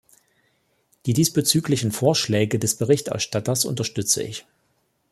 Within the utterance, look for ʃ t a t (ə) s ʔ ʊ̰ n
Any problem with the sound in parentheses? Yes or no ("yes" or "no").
yes